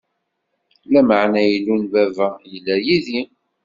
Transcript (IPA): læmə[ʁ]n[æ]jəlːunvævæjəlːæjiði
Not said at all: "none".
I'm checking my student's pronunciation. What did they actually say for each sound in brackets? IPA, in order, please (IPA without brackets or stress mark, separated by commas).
ʕ, æ